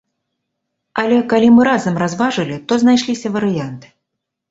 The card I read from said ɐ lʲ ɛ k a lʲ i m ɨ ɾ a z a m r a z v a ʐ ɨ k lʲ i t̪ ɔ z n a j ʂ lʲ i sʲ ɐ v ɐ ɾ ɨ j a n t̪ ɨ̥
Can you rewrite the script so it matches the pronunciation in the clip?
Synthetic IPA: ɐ lʲ ɛ k a lʲ i m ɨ ɾ a z ɐ m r a z v a ʐ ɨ lʲ i t̪ ɔ z n a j ʂ lʲ i sʲ ɐ v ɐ ɾ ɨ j a n t̪ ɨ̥

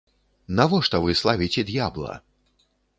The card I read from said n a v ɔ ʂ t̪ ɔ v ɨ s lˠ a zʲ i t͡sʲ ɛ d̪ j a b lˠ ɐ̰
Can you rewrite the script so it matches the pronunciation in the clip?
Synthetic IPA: n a v ɔ ʂ t̪ ɔ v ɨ s lˠ a vʲ i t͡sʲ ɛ d̪ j a b lˠ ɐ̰

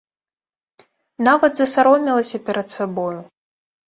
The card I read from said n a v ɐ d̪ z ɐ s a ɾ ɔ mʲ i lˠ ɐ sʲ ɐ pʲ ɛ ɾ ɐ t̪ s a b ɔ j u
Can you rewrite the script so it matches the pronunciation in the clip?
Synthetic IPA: n a v ɐ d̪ z ɐ s a ɾ ɔ mʲ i lˠ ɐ sʲ ɐ pʲ ɛ ɾ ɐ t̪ s a b ɔ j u

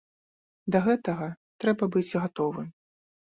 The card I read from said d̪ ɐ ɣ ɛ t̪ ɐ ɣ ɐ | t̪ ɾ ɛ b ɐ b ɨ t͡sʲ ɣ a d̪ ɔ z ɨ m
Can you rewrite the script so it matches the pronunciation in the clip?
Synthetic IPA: d̪ ɐ ɣ ɛ t̪ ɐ ɣ ɐ | t̪ ɾ ɛ b ɐ b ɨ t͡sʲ ɣ a t̪ ɔ v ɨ m

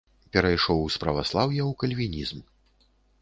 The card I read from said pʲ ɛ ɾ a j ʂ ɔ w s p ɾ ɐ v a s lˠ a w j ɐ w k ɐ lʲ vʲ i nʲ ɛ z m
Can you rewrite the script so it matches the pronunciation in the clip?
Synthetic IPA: pʲ ɛ ɾ a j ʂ ɔ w s p ɾ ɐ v a s lˠ a w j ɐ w k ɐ lʲ vʲ i nʲ i z m

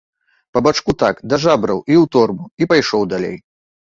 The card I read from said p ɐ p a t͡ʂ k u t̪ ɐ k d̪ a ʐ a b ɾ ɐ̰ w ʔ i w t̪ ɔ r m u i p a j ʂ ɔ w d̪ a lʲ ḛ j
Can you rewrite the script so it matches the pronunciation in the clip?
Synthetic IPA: p ɐ b a t͡ʂ k u t̪ a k d̪ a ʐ a b ɾ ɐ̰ w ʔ i w t̪ ɔ r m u i p a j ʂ ɔ w d̪ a lʲ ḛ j

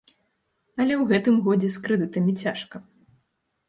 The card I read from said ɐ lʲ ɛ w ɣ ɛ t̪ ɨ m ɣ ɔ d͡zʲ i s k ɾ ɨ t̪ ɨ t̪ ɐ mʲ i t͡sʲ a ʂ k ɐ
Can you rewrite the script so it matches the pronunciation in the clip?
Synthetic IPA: ɐ lʲ ɛ w ɣ ɛ t̪ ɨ m ɣ ɔ d͡zʲ ɛ s k ɾ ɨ d̪ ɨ t̪ ɐ mʲ i t͡sʲ a ʂ k ɐ

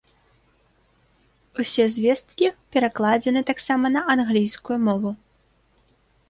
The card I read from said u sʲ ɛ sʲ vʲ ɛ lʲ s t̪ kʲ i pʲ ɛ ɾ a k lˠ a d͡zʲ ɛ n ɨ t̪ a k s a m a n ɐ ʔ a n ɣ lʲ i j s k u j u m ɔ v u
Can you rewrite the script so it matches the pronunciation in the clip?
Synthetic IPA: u sʲ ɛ zʲ vʲ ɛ s t̪ kʲ i pʲ ɛ ɾ a k lˠ a d͡zʲ ɛ n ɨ t̪ a k s a m ɐ n ɐ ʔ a n ɣ lʲ i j s k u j u m ɔ v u

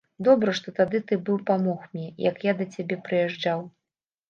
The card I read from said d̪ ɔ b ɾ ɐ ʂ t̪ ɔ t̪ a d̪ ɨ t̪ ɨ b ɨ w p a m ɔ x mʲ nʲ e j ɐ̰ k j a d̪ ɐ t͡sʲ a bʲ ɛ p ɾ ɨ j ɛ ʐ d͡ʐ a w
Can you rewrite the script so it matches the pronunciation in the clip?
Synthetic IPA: d̪ ɔ b ɾ ɐ ʂ t̪ ɔ t̪ a d̪ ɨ t̪ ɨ b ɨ w p a m ɔ x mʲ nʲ ɛ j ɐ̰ k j a d̪ ɐ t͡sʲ a bʲ ɛ p ɾ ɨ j ɛ ʐ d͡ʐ a w

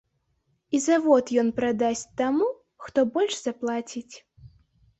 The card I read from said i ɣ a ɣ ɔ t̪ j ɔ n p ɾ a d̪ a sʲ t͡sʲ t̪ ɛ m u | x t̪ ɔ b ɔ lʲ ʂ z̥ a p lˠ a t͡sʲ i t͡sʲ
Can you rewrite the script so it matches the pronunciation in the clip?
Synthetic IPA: i z a v ɔ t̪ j ɔ n p ɾ a d̪ a sʲ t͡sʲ t̪ a m u | x t̪ ɔ b ɔ lʲ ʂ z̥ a p lˠ a t͡sʲ i t͡sʲ

